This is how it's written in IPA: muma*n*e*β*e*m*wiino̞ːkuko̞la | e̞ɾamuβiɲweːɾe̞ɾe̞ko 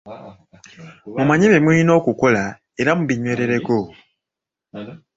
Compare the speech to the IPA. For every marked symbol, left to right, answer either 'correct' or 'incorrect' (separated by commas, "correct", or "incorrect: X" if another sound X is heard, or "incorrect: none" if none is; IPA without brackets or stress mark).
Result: incorrect: ɲ, correct, correct